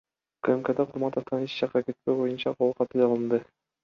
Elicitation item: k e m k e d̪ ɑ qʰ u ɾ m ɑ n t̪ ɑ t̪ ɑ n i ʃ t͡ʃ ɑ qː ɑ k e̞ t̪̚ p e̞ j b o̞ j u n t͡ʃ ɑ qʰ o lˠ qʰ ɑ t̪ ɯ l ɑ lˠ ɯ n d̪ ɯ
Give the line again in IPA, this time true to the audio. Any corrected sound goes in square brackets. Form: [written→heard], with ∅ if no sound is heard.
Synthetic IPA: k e m k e d̪ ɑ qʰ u ɾ m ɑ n t̪ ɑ t̪ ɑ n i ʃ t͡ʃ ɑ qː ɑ k e̞ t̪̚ p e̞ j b o̞ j u n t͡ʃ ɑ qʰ o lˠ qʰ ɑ t̪ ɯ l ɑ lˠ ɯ n d̪ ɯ